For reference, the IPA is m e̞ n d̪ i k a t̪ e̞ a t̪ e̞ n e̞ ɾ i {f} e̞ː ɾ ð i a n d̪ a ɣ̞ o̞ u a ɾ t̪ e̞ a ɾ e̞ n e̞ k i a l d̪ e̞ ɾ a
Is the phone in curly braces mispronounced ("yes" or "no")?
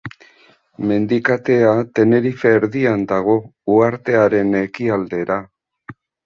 no